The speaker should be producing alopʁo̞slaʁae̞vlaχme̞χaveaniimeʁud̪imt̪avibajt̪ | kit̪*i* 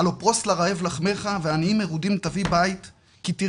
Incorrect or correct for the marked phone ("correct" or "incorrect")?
correct